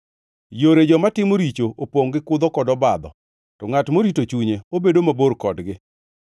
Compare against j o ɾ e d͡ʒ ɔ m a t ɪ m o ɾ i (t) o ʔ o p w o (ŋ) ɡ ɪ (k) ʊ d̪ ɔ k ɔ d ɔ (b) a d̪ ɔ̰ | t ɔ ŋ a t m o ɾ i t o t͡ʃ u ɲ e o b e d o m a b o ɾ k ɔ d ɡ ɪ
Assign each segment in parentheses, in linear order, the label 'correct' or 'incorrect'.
incorrect: t͡ʃ, correct, correct, correct

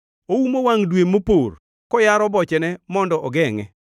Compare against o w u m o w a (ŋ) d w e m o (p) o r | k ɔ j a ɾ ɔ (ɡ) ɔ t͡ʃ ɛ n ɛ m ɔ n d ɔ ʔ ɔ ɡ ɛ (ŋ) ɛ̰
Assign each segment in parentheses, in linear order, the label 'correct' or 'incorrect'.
correct, correct, incorrect: b, correct

